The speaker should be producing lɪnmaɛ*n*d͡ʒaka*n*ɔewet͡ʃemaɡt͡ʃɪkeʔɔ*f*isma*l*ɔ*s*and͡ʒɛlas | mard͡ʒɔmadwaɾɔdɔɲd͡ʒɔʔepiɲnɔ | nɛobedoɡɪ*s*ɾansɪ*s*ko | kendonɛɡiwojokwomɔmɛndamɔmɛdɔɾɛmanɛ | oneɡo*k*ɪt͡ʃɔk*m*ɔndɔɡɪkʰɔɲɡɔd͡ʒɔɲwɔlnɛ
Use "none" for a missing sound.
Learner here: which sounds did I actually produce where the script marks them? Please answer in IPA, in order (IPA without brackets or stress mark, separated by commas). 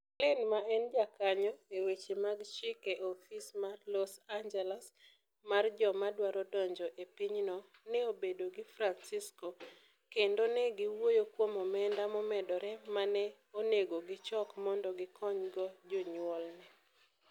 n, ɲ, f, l, s, f, s, ɡ, m